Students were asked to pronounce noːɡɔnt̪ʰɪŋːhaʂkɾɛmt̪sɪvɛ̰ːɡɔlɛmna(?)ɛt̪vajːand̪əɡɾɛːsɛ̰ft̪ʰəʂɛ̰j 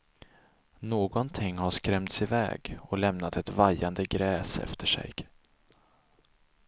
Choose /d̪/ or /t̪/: t̪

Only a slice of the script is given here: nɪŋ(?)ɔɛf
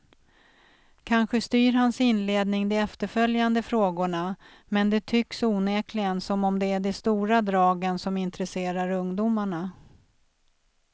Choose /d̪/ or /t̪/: d̪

